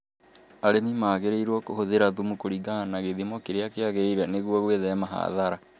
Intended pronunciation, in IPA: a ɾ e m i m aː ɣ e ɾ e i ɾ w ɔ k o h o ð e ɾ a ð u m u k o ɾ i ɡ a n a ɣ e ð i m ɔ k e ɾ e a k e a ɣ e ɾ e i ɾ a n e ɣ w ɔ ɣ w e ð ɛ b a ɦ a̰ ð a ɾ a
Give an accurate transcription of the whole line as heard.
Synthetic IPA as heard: a ɾ e m i m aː ɣ e ɾ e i ɾ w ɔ k o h o ð e ɾ a ð u m u k o ɾ i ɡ a n a ɣ e ð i m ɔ k e ɾ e a k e a ɣ e ɾ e i ɾ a n e ɣ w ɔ ɣ w e ð ɛ m a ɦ a̰ ð a ɾ a